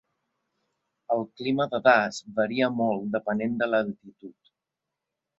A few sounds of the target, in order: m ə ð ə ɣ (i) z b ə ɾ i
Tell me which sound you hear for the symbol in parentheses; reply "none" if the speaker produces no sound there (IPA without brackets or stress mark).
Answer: a